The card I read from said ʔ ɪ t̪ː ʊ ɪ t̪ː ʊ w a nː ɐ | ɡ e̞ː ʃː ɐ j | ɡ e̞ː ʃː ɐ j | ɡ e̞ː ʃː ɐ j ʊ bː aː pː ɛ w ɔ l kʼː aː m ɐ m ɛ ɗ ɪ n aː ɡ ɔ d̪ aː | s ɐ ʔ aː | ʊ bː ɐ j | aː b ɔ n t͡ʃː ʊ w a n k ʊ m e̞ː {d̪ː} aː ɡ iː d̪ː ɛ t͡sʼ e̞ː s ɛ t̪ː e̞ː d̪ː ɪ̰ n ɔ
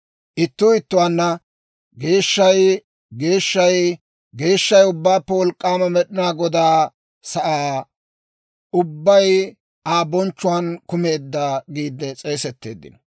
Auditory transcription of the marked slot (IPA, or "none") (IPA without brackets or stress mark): d̪ː